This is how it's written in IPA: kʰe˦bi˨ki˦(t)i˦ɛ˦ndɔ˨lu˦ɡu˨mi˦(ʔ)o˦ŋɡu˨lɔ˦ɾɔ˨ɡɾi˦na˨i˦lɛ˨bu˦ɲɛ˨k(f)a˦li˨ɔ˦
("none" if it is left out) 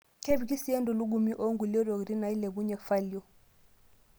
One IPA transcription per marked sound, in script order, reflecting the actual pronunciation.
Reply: s, ʔ, f

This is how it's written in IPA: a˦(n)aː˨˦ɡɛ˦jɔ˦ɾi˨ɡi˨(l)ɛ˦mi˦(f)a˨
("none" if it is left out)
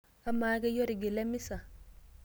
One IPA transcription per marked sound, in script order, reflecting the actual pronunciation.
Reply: m, l, s

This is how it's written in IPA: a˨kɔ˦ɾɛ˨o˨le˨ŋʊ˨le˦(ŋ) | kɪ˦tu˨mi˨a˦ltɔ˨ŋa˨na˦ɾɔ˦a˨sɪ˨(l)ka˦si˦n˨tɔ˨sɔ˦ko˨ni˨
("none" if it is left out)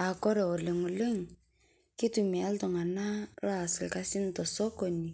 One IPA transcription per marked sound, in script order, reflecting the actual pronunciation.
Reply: ŋ, l

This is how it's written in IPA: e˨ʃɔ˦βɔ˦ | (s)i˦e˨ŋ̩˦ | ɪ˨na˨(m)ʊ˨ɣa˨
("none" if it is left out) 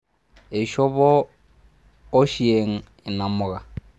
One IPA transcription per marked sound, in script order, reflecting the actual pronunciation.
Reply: ʃ, m

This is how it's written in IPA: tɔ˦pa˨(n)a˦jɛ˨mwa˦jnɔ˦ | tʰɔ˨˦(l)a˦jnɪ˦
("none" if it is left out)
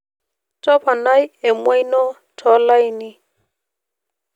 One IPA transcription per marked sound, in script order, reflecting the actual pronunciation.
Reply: n, l

